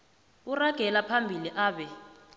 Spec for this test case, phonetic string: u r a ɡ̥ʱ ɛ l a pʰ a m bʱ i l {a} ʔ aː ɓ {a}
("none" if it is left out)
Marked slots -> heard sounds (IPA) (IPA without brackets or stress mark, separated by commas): i, ɛ